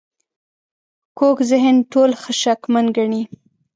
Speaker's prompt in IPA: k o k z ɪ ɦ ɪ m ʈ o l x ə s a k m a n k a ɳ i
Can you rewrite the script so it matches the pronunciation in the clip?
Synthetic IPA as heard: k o k z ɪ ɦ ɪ n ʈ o l x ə ʃ a k m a n ɡ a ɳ i